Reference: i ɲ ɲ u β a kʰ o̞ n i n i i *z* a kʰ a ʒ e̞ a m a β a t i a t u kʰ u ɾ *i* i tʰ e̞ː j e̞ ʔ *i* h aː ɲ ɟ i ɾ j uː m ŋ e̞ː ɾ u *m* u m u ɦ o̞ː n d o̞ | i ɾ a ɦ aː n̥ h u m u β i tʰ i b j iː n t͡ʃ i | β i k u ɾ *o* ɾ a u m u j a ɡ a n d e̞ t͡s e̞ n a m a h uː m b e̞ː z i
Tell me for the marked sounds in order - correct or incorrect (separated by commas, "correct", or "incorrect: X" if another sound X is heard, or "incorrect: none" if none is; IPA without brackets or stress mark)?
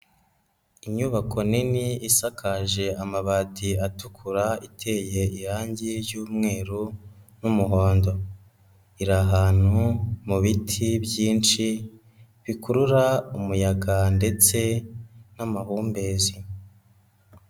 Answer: incorrect: s, incorrect: a, correct, incorrect: n, incorrect: u